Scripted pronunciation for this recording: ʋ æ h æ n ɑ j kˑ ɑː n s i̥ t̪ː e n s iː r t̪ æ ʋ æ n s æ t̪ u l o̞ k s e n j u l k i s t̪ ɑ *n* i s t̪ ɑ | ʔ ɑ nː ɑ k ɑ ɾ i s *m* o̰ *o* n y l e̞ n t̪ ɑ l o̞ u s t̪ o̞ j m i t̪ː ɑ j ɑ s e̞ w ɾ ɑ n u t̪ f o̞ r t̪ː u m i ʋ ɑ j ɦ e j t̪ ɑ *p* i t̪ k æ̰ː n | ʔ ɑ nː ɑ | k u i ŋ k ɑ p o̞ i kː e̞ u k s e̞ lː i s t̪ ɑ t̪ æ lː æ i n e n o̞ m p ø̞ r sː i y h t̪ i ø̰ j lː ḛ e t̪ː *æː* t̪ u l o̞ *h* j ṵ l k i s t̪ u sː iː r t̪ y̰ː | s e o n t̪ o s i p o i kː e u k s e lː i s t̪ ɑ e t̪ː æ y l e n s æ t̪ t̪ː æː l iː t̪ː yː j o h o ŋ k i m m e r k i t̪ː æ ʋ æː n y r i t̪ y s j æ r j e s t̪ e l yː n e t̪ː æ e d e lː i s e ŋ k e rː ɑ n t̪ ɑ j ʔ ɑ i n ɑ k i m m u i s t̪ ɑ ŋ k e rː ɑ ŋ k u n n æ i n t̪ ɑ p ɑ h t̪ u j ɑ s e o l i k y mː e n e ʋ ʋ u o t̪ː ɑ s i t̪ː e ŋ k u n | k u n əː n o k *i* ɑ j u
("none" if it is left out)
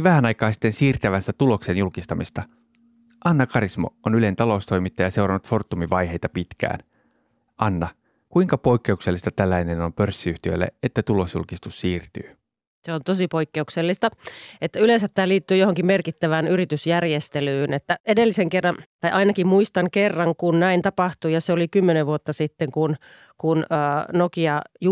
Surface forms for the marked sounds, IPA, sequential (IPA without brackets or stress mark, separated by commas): m, m, o, p, æ, s, i